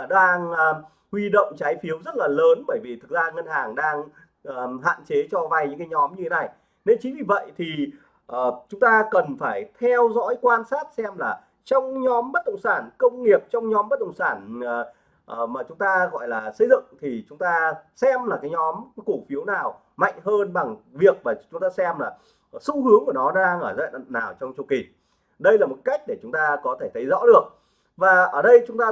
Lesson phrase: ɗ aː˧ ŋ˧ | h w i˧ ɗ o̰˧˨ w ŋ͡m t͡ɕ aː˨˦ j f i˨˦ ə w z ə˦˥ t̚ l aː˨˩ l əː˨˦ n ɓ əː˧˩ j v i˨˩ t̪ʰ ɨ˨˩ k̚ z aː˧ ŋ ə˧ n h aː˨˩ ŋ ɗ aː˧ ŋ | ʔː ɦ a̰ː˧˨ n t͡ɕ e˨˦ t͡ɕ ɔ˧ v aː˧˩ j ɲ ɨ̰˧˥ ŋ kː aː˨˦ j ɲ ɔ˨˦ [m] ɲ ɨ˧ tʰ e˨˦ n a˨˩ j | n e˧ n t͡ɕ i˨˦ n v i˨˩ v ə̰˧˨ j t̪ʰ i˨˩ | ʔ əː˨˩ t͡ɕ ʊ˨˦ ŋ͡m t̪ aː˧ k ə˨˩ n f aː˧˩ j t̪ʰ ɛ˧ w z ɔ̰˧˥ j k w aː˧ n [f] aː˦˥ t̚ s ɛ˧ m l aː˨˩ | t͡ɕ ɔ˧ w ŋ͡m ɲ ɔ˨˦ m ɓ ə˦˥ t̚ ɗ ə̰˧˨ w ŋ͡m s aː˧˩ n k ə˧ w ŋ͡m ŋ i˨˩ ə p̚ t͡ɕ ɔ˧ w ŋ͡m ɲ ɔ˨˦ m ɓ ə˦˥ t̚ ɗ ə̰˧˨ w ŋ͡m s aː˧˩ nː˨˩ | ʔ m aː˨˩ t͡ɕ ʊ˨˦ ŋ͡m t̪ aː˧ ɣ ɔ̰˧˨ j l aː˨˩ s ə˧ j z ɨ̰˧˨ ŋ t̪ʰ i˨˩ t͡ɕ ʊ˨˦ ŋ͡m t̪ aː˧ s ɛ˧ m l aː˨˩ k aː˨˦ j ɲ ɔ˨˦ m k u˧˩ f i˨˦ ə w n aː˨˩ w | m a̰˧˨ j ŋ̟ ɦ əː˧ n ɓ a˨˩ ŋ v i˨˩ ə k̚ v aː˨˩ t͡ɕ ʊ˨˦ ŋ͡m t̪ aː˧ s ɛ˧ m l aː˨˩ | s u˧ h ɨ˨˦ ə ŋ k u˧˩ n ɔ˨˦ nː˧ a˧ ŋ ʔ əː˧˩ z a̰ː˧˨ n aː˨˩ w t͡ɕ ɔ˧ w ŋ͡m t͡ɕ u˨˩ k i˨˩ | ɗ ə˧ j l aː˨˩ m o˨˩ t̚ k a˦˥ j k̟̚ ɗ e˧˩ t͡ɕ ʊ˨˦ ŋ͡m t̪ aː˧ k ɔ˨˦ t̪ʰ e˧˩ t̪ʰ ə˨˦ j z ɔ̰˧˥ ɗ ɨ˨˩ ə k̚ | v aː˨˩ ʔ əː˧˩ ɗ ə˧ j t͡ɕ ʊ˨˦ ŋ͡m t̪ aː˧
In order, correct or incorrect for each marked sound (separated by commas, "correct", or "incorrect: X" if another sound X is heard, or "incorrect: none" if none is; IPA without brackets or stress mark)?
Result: correct, incorrect: s